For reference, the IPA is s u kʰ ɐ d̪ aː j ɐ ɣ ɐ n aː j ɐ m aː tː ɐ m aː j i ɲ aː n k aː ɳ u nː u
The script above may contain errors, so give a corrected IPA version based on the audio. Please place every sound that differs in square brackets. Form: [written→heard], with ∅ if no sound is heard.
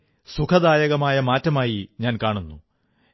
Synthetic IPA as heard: s u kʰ ɐ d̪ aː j ɐ ɣ ɐ [n→m] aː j ɐ m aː tː ɐ m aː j i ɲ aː n k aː ɳ u nː u